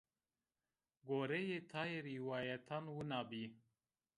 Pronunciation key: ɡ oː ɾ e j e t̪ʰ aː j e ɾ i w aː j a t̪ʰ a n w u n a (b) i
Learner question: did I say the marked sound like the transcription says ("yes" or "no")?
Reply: yes